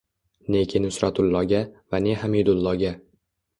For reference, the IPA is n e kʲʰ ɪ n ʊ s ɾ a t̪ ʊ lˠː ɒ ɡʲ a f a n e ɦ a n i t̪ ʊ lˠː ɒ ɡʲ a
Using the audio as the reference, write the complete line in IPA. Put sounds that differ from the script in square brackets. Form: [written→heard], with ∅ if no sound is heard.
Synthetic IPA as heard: n e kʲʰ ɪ n ʊ s ɾ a t̪ ʊ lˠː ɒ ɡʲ a [f→v] a n e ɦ a [n→m] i [t̪→d̪] ʊ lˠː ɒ ɡʲ a